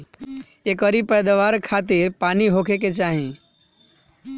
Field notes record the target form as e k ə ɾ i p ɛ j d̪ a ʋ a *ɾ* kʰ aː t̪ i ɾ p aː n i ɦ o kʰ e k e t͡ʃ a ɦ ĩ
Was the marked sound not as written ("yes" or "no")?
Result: no